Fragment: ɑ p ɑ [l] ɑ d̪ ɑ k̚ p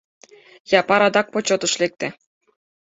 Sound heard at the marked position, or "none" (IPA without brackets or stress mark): ɾ